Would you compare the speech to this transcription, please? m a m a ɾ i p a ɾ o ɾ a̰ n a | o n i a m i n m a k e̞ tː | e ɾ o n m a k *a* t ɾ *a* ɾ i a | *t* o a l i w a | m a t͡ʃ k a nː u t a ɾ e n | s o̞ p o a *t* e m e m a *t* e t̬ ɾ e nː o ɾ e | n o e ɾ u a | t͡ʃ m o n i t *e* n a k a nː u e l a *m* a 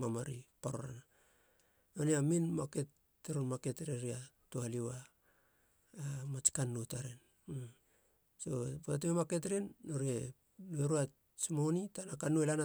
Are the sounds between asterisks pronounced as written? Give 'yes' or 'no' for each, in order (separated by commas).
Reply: no, no, yes, yes, no, no, no